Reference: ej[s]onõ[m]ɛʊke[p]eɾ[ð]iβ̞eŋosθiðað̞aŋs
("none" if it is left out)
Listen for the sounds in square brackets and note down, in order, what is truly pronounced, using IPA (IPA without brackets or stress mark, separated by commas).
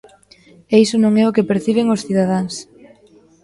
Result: s, ŋ, p, θ